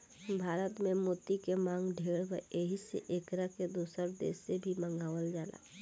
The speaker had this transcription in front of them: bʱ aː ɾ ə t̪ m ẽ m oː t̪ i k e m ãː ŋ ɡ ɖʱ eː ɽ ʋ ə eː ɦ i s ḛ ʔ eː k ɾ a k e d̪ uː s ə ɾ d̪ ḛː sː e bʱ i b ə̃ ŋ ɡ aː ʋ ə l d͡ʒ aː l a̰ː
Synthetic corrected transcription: bʱ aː ɾ ə t̪ m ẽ m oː t̪ i k e m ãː ŋ ɡ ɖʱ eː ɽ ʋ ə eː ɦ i s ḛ ʔ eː k ɾ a k e d̪ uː s ə ɾ d̪ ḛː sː e bʱ i m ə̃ ŋ ɡ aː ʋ ə l d͡ʒ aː l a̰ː